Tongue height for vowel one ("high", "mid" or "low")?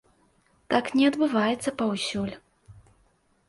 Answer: low